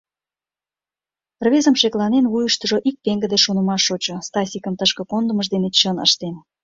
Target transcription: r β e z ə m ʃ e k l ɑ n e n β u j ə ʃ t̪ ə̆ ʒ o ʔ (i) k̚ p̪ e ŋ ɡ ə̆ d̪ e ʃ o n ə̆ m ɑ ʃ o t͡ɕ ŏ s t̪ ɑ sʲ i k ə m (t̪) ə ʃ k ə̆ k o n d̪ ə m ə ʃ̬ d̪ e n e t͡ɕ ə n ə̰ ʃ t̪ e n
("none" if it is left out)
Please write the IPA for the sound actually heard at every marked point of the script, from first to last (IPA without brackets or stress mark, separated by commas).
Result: i, t̪